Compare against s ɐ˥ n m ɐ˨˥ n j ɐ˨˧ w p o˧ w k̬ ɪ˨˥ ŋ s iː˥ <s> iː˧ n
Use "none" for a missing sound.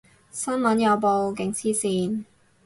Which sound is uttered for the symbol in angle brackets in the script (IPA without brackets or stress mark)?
s